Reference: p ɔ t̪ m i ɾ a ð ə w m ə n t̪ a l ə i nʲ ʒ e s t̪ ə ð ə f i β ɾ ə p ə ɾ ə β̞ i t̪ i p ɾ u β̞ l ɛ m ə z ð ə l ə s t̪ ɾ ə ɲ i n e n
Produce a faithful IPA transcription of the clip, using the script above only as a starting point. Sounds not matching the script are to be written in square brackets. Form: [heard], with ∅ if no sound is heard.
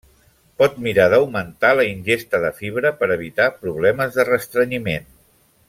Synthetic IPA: p ɔ t̪ m i ɾ a ð ə w m ə n t̪ a l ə i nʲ ʒ e s t̪ ə ð ə f i β ɾ ə p ə ɾ ə β̞ i t̪ [a] p ɾ u β̞ l ɛ m ə z ð ə [r] ə s t̪ ɾ ə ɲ i [m] e n